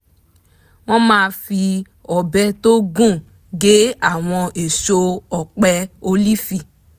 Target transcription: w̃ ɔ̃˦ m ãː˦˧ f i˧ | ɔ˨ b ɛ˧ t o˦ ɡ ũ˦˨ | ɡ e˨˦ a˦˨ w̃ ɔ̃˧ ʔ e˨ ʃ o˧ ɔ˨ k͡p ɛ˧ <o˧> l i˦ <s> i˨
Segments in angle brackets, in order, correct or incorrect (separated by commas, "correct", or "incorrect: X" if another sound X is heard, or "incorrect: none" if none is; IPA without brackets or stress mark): correct, incorrect: f